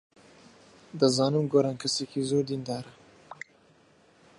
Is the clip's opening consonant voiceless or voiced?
voiced